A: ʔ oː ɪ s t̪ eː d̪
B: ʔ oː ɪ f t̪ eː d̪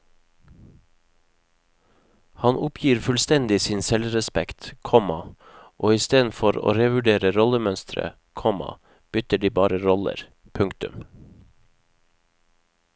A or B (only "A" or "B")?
A